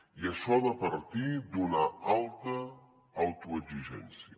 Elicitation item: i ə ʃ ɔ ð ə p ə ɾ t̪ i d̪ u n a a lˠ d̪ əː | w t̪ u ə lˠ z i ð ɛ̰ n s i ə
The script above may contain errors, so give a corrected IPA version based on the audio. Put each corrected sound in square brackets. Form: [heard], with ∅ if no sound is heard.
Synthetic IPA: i ə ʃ ɔ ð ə p ə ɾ t̪ i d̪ u n a a lˠ [t̪] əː | w t̪ u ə [∅] z i [ʒ] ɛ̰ n s i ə